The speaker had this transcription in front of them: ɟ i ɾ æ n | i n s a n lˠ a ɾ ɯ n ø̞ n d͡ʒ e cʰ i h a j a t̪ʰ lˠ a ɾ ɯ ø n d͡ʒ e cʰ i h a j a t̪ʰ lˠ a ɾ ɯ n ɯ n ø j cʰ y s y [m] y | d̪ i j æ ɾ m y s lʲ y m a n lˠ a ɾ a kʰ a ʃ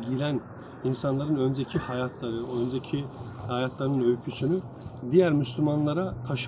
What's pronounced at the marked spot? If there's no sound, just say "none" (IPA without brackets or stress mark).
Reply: n